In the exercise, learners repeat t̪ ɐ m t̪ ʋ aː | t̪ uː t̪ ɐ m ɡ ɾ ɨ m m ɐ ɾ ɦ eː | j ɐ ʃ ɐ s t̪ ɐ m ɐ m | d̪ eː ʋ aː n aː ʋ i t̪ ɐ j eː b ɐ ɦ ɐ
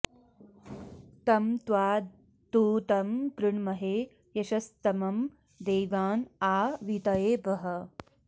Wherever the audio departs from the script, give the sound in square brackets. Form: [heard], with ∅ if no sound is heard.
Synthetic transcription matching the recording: t̪ ɐ m t̪ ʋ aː | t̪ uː t̪ ɐ m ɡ ɾ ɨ [ɳ] m ɐ [∅] ɦ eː | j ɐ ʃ ɐ s t̪ ɐ m ɐ m | d̪ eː ʋ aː n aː ʋ i t̪ ɐ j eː b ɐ ɦ ɐ